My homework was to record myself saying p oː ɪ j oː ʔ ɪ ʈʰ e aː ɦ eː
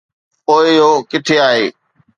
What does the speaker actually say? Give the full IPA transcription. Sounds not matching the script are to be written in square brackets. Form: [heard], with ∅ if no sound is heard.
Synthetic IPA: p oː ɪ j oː [k] ɪ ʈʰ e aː ɦ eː